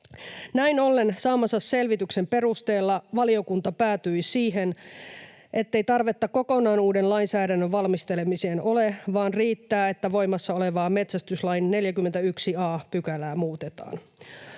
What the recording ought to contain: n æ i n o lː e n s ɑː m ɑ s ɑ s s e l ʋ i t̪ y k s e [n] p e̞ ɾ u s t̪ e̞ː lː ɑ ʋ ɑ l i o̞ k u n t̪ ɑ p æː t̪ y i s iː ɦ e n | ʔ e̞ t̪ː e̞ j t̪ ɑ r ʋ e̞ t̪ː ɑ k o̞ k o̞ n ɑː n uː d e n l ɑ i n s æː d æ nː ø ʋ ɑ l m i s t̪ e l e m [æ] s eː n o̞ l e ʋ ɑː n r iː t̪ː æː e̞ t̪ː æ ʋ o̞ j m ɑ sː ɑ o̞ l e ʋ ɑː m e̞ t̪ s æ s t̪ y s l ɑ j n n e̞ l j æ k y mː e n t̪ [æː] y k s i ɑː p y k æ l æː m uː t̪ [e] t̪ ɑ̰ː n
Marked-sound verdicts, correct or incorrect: incorrect, incorrect, incorrect, correct

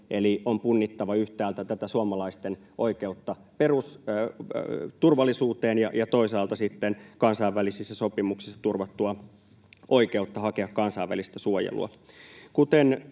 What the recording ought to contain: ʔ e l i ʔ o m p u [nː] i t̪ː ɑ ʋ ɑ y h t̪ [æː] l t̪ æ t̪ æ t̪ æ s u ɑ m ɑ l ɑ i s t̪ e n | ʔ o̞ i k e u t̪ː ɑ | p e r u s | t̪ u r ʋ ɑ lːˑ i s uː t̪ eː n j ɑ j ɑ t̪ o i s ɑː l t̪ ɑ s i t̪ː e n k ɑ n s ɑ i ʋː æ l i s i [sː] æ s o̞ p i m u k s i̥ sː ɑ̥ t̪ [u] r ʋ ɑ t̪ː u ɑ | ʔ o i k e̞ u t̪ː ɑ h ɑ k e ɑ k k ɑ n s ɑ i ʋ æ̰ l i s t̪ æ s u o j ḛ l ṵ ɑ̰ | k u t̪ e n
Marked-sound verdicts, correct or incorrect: correct, correct, correct, correct

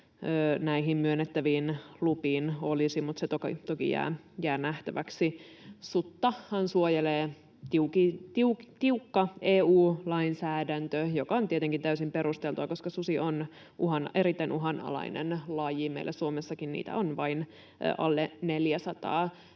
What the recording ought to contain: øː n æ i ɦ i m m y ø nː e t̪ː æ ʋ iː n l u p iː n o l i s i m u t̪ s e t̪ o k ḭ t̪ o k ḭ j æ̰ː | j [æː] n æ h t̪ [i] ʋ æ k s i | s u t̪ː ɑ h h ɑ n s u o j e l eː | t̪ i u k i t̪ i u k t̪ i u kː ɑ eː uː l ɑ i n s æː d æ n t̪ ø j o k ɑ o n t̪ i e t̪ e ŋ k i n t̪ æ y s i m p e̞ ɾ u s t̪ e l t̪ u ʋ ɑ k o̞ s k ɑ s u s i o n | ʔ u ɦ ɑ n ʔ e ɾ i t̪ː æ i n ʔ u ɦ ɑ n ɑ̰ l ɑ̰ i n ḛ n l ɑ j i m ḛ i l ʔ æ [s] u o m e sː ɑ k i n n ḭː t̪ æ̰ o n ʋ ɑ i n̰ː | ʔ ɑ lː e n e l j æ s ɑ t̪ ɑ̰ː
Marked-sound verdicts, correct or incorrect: correct, incorrect, correct

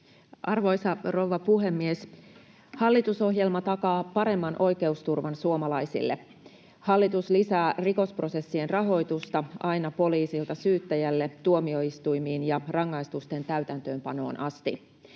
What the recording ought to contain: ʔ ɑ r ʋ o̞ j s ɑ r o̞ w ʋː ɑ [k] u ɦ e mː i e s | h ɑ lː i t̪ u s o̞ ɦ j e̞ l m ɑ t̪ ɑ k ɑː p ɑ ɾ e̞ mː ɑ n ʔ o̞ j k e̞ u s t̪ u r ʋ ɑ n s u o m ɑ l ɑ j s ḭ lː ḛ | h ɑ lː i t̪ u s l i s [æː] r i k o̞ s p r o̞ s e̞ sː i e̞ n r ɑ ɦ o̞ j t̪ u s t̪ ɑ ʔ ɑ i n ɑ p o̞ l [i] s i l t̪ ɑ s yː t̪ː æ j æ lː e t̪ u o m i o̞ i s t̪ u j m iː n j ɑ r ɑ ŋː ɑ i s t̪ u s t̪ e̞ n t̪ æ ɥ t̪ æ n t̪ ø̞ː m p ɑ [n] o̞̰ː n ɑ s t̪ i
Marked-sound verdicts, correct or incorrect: incorrect, correct, incorrect, correct

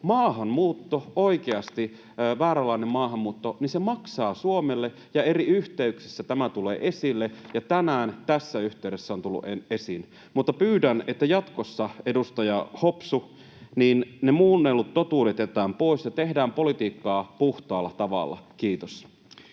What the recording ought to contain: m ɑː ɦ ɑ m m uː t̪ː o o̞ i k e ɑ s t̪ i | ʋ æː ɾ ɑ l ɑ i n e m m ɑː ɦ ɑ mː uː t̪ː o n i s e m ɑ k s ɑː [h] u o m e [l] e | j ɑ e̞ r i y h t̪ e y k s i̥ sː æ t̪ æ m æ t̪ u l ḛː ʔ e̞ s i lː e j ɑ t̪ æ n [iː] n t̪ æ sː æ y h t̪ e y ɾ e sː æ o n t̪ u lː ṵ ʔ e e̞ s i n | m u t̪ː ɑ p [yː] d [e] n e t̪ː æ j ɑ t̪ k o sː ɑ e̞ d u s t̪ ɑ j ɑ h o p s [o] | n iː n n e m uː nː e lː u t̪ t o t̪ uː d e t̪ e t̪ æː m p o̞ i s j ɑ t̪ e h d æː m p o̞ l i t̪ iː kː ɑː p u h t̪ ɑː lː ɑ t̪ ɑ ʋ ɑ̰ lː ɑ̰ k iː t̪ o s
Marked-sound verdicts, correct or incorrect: incorrect, incorrect, incorrect, correct, incorrect, incorrect

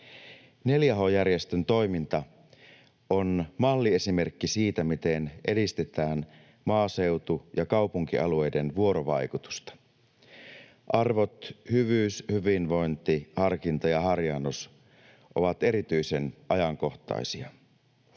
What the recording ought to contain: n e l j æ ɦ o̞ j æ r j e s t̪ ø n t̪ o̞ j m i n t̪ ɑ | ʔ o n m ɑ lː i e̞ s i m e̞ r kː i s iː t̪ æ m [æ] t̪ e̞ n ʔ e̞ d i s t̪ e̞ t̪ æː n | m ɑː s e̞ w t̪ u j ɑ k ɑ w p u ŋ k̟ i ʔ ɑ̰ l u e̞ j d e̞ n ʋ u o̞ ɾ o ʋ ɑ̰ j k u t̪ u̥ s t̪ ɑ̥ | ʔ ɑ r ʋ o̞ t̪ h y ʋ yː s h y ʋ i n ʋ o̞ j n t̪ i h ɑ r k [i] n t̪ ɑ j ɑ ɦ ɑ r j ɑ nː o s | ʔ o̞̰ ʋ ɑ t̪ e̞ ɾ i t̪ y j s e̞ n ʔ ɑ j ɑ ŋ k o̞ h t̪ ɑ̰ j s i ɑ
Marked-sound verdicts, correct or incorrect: incorrect, correct

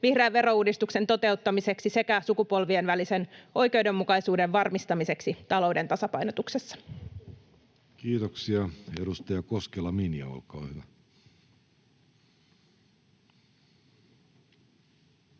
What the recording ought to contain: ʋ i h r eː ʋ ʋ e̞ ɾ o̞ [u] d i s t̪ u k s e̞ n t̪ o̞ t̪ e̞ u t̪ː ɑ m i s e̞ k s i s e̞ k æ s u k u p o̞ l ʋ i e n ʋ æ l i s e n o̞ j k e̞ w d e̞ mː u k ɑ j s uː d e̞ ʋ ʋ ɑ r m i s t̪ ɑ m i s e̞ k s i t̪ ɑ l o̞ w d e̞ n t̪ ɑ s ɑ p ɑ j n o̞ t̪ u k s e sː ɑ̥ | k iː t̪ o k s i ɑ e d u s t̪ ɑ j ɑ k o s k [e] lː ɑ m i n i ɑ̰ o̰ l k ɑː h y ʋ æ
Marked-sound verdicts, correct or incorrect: incorrect, correct

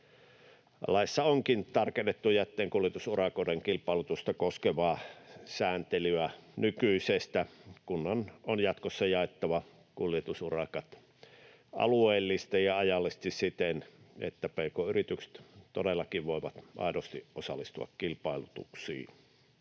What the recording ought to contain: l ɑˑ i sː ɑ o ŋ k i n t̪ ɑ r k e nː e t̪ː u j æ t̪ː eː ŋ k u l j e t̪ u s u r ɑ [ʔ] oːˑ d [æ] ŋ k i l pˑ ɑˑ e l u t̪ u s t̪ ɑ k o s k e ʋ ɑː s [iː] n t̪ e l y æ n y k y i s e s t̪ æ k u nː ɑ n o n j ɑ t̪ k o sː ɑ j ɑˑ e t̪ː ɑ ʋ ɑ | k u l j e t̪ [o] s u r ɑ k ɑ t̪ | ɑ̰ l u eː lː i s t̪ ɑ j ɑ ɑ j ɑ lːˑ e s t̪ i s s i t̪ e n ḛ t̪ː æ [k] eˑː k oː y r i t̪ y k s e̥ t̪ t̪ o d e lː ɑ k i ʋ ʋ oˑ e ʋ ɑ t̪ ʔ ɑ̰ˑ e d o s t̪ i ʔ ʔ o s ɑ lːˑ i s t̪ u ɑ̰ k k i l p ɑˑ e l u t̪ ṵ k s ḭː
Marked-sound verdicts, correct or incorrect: incorrect, incorrect, incorrect, incorrect, incorrect

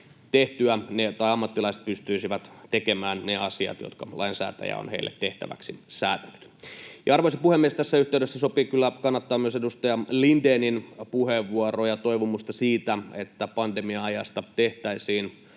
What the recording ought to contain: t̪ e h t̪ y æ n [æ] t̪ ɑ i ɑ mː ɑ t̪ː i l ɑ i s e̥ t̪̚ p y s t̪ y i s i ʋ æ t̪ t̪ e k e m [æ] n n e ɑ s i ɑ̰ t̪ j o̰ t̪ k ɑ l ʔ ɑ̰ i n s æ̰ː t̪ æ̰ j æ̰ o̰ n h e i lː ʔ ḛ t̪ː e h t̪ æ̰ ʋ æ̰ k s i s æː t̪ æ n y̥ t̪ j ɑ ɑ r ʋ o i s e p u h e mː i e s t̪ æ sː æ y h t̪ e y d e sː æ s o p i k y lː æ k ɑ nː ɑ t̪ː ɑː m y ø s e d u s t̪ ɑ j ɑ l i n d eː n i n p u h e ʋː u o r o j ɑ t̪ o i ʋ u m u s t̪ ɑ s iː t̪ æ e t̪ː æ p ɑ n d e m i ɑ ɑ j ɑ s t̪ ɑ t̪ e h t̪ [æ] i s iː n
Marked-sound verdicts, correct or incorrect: incorrect, incorrect, correct

